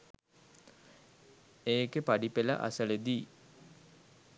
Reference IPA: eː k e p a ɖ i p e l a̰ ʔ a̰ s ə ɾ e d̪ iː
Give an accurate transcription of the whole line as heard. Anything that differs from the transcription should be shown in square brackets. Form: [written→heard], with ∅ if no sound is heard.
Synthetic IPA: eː k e p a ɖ i p e l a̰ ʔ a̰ s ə [ɾ→l] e d̪ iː